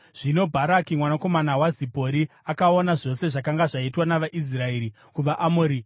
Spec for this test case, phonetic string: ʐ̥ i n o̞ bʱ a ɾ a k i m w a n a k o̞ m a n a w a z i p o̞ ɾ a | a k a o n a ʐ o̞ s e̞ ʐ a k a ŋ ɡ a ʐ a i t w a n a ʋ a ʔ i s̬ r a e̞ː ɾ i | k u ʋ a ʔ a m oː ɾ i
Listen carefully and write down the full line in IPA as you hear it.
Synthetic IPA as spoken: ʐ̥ i n o̞ bʱ a ɾ a k i m w a n a k o̞ m a n a w a z i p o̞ ɾ i | a k a o n a ʐ o̞ s e̞ ʐ a k a ŋ ɡ a ʐ a i t w a n a ʋ a ʔ i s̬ r a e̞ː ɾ i | k u ʋ a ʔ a m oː ɾ i